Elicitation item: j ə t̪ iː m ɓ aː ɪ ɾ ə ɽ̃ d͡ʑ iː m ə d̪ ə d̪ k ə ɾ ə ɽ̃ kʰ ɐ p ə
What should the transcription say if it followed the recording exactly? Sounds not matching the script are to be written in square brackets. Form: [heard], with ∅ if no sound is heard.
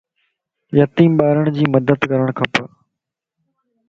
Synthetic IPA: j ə t̪ iː m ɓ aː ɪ ɾ ə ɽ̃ d͡ʑ iː m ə d̪ ə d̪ k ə ɾ ə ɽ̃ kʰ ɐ p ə